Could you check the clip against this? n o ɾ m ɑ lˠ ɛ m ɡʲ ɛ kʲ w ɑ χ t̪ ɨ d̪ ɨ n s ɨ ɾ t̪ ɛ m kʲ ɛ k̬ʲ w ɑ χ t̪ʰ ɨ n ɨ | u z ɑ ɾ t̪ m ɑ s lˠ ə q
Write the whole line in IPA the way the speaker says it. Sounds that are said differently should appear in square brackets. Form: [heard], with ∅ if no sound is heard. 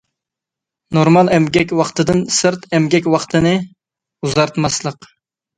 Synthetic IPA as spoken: n o ɾ m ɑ lˠ ɛ m ɡʲ ɛ kʲ w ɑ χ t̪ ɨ d̪ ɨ n s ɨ ɾ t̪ ɛ m [ɡʲ] ɛ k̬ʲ w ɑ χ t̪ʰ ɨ n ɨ | u z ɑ ɾ t̪ m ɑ s lˠ ə q